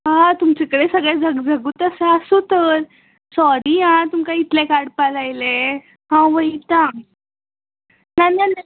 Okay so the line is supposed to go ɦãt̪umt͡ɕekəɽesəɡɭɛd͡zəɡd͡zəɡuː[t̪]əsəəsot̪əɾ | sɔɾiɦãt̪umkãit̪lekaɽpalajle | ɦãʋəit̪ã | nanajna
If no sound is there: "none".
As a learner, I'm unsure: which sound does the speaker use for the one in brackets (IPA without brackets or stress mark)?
t̪